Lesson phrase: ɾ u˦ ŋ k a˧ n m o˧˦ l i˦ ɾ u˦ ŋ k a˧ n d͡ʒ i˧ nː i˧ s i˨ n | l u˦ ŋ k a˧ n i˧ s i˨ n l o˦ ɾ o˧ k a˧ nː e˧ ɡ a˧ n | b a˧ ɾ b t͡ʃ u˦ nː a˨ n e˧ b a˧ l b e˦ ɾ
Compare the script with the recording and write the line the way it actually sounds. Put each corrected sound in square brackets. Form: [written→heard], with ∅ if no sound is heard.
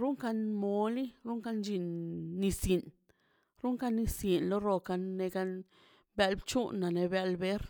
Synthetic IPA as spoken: ɾ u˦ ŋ k a˧ n m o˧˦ l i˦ ɾ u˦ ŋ k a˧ n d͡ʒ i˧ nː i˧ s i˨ n | [l→ɾ] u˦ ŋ k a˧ n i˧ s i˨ n l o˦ ɾ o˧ k a˧ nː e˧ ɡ a˧ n | b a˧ [ɾ→l] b t͡ʃ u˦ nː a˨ n e˧ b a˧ l b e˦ ɾ

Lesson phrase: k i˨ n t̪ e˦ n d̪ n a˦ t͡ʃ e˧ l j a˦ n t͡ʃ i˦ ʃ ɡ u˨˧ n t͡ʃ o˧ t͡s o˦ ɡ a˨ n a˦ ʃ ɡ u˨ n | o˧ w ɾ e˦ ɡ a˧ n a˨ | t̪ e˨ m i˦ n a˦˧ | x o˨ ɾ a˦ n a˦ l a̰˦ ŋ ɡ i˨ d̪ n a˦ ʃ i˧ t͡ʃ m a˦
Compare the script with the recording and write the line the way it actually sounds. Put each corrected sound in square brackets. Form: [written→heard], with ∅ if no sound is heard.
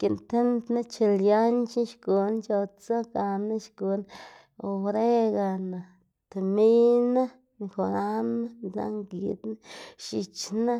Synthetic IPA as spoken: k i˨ n t̪ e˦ n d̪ n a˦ t͡ʃ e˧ l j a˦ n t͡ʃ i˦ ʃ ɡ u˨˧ n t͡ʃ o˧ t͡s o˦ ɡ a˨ n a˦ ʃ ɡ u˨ n | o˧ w ɾ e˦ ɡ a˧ n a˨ | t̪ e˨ m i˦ n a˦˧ | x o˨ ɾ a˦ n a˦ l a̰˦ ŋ ɡ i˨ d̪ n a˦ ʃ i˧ t͡ʃ [m→n] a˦

